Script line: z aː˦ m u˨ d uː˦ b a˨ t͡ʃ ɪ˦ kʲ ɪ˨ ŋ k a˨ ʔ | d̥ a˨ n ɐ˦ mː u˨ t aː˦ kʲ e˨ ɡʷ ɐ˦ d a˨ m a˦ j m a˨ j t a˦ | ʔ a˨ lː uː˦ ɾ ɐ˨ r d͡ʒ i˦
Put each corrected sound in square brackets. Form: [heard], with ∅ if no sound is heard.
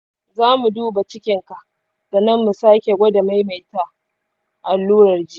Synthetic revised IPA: z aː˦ m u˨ d uː˦ b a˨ t͡ʃ ɪ˦ kʲ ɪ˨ ŋ k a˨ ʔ | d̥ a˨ n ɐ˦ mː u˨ [s] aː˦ kʲ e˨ ɡʷ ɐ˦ d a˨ m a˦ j m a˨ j t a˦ | ʔ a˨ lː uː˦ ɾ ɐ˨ r d͡ʒ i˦